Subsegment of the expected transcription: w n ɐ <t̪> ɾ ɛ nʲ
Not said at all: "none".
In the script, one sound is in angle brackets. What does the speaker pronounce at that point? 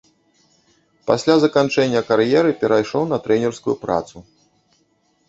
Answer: t̪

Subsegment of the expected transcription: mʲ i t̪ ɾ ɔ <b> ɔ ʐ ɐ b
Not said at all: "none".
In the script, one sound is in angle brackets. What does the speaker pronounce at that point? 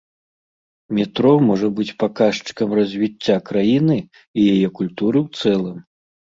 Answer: m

